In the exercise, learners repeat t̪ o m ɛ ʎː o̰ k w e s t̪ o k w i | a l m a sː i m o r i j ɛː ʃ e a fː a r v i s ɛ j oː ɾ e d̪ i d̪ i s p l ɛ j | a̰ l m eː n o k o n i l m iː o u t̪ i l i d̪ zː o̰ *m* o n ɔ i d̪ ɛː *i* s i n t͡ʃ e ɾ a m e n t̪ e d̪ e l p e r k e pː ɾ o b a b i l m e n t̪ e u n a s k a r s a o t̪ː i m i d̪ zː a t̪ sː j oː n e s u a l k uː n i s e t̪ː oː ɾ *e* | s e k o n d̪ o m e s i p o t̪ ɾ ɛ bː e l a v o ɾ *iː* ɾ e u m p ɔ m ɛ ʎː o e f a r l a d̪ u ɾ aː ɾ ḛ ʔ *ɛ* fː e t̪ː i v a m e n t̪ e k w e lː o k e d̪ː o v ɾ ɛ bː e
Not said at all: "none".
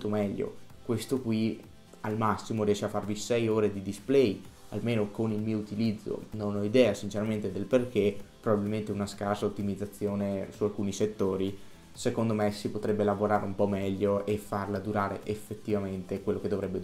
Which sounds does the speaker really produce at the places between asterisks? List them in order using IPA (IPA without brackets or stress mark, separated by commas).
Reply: n, a, i, aː, e